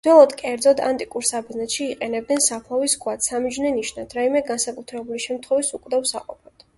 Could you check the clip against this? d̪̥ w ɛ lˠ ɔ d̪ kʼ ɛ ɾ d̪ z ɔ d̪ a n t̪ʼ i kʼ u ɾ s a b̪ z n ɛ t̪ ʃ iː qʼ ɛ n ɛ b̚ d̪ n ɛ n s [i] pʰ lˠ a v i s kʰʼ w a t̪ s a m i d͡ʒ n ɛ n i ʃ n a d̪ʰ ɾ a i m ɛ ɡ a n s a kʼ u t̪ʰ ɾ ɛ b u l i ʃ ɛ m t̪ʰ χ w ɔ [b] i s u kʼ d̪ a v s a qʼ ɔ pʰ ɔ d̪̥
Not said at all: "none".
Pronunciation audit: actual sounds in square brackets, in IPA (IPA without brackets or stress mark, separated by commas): a, v